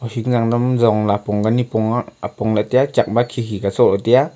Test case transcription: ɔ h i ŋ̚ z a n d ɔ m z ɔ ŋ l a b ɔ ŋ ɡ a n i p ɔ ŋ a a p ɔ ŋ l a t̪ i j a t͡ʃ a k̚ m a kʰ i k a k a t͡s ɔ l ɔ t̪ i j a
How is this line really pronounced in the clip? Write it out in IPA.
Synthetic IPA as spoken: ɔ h i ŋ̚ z a ŋ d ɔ m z ɔ ŋ l a p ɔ ŋ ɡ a n i p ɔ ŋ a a p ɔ ŋ l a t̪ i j a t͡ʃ a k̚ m a kʰ i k i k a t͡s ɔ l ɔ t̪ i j a